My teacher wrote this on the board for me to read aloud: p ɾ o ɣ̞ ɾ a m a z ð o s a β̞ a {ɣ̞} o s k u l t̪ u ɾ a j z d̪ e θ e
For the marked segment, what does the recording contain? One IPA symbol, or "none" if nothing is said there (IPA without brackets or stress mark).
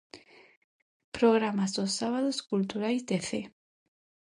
ð̞